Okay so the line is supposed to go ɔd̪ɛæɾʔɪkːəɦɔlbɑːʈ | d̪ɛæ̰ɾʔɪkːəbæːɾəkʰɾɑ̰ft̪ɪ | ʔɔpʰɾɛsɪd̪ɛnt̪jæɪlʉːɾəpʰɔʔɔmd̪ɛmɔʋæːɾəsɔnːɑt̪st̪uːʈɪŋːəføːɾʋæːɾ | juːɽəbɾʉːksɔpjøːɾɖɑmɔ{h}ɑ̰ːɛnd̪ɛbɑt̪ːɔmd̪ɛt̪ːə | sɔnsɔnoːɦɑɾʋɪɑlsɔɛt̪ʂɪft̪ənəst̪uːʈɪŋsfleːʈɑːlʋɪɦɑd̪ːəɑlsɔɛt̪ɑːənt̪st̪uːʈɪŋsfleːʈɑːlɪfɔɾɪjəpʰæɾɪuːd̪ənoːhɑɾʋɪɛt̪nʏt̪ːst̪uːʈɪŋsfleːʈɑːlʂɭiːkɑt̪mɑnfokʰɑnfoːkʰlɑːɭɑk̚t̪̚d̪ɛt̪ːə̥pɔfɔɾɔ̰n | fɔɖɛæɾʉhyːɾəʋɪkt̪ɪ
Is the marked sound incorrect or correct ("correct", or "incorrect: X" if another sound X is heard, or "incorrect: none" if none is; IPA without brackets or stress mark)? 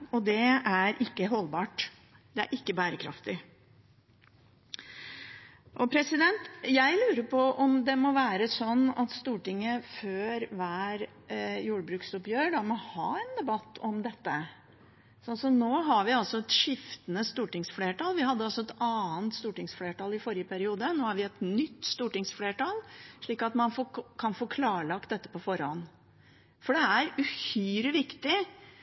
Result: correct